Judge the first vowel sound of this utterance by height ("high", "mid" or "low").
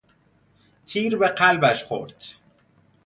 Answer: high